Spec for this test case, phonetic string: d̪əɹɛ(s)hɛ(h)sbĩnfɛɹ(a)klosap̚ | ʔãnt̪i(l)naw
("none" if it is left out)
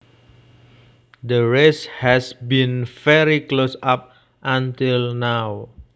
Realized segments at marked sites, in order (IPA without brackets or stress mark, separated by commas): s, none, i, l